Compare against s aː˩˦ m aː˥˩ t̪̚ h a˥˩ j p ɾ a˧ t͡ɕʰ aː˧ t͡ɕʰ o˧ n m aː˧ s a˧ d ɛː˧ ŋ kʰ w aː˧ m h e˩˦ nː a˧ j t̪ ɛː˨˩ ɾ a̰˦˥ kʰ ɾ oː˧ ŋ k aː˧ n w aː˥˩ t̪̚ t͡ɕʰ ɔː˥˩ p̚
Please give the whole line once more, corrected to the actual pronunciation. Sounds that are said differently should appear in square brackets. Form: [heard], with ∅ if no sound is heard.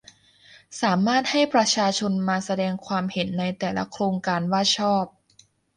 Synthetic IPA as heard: s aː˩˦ m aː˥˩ t̪̚ h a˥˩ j p ɾ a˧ t͡ɕʰ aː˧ t͡ɕʰ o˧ n m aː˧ s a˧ d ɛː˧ ŋ kʰ w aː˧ m h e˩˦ nː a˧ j t̪ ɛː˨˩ [l] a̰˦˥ kʰ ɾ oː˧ ŋ k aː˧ n w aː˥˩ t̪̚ t͡ɕʰ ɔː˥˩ p̚